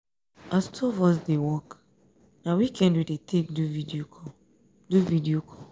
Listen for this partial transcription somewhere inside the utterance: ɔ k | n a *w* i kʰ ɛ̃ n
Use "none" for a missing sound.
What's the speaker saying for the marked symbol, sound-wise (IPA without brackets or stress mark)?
w